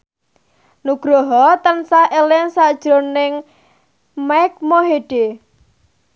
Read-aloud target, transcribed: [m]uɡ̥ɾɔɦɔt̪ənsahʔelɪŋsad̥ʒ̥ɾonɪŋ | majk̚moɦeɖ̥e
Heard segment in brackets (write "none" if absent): n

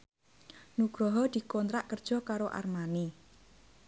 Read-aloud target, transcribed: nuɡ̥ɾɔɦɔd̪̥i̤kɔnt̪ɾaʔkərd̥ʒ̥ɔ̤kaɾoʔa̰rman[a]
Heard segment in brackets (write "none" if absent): i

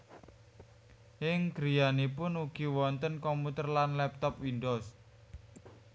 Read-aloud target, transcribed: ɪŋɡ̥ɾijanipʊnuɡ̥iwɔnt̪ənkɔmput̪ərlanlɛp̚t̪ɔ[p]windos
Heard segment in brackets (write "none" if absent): p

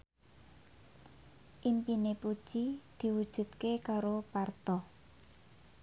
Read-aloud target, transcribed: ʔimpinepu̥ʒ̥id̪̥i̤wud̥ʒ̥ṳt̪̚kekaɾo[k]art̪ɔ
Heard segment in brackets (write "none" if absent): p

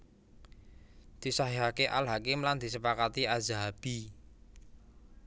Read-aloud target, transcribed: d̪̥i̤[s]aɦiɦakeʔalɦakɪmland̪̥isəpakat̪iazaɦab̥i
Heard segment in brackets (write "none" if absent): s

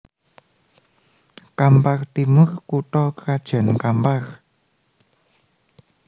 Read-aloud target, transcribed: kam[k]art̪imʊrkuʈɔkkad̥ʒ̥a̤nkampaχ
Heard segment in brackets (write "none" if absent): p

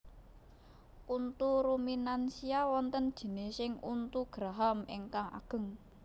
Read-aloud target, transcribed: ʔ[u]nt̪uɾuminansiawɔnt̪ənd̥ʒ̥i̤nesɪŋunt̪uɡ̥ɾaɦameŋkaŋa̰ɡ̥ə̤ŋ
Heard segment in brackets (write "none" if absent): u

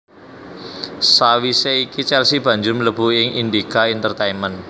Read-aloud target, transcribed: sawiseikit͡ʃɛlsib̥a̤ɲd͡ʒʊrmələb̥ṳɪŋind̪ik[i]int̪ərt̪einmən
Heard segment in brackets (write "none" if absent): a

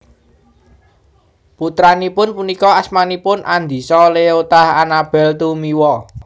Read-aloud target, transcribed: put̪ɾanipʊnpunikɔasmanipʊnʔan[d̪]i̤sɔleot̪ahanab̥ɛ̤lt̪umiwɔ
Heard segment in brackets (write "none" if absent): d̪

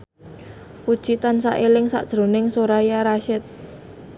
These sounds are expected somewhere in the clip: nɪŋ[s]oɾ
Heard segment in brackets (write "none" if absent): s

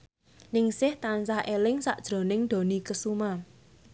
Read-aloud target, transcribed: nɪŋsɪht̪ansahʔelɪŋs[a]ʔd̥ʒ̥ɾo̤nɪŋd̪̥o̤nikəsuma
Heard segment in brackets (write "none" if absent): a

